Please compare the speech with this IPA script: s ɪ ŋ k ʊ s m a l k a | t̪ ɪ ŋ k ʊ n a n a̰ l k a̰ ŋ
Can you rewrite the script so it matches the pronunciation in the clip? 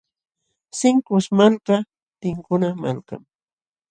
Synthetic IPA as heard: s ɪ ŋ k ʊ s m a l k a | t̪ ɪ ŋ k ʊ n a m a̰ l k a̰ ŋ